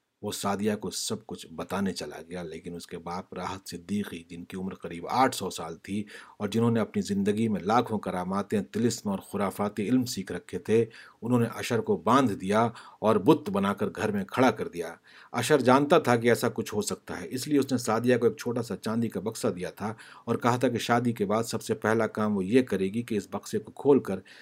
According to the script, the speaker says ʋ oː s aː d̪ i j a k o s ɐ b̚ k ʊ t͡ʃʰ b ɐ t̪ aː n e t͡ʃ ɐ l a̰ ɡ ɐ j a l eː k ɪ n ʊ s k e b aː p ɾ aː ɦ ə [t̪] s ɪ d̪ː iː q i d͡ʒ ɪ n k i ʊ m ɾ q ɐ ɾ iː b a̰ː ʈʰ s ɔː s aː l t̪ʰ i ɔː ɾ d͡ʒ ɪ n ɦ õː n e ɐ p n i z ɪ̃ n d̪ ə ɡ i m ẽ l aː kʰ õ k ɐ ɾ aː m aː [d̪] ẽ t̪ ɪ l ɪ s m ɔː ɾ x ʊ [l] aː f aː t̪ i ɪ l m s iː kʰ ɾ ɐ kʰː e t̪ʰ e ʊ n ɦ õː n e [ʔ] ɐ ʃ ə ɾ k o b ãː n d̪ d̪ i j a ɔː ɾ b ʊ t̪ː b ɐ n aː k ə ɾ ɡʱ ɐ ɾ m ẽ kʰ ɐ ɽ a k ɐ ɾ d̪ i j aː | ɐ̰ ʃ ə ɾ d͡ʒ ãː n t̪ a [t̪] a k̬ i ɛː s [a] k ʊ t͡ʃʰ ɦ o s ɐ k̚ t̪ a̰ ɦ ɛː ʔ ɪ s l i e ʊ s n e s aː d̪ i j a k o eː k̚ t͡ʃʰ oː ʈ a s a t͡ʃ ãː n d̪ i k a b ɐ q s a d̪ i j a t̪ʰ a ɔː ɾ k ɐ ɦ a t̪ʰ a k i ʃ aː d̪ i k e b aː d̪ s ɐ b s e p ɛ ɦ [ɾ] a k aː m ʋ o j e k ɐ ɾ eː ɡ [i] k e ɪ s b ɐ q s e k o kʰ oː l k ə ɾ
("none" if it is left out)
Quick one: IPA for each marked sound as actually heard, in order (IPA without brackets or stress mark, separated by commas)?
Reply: t̪, t̪, ɾ, ʔ, t̪ʰ, a, l, i